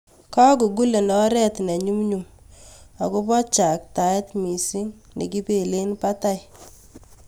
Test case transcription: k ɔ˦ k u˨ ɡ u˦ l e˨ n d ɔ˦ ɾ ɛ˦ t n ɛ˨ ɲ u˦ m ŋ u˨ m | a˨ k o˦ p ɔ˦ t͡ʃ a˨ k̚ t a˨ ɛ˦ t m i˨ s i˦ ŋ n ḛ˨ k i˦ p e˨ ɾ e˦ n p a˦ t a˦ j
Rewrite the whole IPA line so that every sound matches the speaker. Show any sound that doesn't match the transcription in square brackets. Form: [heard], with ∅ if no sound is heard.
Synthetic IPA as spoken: k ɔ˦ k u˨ ɡ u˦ l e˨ n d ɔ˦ ɾ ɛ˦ t n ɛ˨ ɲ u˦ m [ɲ] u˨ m | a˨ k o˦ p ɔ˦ t͡ʃ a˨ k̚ t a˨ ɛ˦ t m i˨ s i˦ ŋ n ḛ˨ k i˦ p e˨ [l] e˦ n p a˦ t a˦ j